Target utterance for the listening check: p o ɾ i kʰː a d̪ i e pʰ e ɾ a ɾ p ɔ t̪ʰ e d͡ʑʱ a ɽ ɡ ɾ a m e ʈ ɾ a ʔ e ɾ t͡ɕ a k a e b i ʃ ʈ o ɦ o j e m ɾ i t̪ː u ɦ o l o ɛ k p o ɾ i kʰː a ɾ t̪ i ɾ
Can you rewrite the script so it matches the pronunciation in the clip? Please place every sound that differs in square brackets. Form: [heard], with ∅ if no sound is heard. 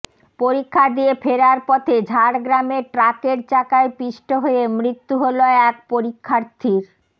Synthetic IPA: p o ɾ i kʰː a d̪ i e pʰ e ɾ a ɾ p ɔ t̪ʰ e d͡ʑʱ a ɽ ɡ ɾ a m e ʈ ɾ a [k] e ɾ t͡ɕ a k a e [p] i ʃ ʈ o ɦ o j e m ɾ i t̪ː u ɦ o l o ɛ k p o ɾ i kʰː a ɾ [t̪ʰ] i ɾ